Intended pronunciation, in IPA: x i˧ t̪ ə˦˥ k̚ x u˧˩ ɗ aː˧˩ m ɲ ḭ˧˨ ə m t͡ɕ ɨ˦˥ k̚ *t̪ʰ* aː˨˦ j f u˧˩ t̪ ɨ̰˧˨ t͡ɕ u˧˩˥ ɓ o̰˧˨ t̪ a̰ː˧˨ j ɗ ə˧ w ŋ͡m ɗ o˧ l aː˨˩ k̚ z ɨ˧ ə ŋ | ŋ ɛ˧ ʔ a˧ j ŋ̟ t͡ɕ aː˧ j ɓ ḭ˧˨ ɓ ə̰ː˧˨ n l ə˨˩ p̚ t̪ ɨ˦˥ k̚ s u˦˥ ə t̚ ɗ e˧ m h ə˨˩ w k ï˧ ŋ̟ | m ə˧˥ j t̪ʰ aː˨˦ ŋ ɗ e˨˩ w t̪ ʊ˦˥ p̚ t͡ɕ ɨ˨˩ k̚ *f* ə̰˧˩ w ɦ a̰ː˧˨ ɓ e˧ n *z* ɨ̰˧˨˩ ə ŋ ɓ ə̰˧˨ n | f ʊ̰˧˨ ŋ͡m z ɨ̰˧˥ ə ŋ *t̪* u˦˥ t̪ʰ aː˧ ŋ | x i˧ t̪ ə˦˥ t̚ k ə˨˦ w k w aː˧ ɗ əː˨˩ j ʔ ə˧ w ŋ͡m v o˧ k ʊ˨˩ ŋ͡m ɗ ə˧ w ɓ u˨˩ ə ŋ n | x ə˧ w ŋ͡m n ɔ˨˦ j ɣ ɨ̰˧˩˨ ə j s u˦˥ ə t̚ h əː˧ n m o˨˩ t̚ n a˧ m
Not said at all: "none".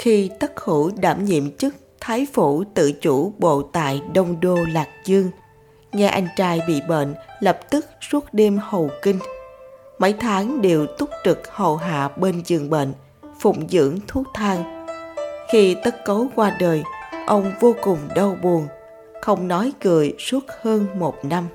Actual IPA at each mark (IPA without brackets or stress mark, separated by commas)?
t̪ʰ, h, z, t̪ʰ